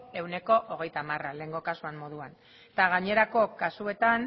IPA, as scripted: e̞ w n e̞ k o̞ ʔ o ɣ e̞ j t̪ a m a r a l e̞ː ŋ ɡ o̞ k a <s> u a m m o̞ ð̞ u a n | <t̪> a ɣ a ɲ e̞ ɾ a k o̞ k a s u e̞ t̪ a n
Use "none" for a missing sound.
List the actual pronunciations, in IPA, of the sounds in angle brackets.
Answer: s, t̪

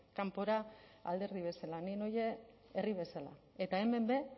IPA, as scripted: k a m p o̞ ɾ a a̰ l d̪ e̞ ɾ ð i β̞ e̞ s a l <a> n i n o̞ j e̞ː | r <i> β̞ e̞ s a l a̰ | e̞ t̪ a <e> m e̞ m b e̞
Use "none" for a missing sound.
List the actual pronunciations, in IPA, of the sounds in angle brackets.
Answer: a, i, e

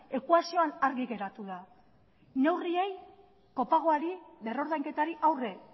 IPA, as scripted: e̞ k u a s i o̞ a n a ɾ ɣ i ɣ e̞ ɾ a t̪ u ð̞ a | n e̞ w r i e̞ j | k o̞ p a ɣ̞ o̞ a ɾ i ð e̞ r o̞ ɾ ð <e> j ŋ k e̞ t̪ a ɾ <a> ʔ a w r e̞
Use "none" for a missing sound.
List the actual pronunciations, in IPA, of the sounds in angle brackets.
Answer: a, i

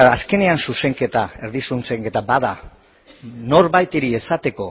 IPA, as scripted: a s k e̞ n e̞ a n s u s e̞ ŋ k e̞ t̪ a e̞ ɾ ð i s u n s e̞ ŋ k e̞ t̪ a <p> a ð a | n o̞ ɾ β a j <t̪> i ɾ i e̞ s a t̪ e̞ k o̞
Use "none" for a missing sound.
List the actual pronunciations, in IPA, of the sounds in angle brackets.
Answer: b, t̪

